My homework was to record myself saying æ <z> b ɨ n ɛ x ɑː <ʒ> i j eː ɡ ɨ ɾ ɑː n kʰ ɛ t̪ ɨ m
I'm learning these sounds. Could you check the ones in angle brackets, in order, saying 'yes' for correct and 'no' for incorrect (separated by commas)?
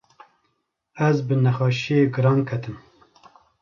yes, no